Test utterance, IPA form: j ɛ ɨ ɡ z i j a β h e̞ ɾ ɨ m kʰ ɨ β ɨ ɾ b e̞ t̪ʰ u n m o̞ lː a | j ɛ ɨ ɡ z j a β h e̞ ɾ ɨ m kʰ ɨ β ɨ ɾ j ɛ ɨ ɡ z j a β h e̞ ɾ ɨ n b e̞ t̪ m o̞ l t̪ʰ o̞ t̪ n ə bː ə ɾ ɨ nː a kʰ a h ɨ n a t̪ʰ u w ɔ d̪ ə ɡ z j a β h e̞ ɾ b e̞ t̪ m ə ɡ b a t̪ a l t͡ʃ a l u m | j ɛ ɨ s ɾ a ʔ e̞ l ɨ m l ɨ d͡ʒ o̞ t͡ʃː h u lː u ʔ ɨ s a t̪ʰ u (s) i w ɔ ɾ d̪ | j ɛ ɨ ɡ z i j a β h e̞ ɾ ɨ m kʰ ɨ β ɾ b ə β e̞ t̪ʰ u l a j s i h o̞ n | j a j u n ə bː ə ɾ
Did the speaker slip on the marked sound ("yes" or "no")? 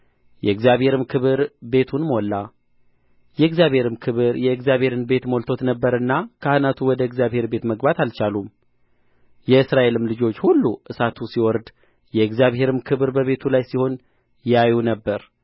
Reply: no